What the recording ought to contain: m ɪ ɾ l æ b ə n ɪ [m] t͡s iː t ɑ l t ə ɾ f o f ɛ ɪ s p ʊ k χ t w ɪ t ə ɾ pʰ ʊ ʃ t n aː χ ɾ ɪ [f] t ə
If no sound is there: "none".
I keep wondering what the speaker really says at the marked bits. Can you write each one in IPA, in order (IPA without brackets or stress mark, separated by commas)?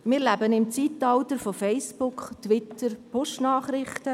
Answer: m, χ